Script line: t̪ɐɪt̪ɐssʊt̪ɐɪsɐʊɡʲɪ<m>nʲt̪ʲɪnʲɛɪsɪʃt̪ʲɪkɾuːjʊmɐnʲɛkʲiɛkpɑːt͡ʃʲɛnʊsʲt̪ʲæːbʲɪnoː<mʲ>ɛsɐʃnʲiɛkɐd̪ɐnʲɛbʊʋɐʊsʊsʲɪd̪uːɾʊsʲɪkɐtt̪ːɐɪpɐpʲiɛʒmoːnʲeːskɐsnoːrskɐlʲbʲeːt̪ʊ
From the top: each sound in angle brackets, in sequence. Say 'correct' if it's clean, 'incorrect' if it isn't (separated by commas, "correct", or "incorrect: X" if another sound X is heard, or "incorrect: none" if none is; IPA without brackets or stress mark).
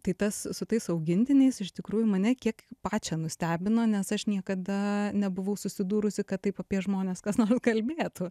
incorrect: none, incorrect: nʲ